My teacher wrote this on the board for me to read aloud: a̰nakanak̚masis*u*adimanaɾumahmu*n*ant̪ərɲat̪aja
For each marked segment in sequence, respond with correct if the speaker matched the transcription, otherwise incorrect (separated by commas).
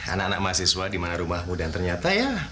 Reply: incorrect, incorrect